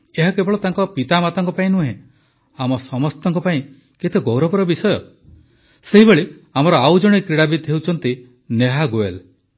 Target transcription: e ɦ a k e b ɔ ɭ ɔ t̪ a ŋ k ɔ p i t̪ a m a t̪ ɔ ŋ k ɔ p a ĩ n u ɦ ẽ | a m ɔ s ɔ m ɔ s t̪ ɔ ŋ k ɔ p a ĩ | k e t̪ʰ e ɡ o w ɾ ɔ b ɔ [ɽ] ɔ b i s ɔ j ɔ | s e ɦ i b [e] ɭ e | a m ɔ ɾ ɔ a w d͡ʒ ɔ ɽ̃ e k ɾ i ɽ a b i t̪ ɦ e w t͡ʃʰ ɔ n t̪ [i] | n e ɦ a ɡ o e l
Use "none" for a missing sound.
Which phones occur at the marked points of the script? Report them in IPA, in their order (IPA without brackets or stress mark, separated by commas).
ɾ, e, i